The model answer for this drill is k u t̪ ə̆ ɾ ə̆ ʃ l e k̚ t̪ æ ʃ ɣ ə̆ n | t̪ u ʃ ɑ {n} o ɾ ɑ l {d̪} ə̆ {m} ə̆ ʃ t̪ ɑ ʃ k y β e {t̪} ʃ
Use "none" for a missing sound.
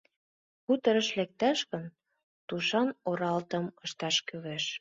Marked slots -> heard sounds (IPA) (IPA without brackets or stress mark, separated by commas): n, t̪, m, none